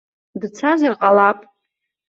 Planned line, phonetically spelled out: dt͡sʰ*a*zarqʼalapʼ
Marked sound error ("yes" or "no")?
no